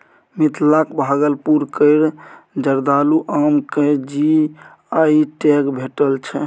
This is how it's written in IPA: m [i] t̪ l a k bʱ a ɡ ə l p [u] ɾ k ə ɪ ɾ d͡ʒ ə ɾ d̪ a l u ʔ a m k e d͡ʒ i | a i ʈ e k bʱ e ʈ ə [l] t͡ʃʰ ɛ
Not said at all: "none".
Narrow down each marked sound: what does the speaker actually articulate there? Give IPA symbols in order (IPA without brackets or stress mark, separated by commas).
i, u, l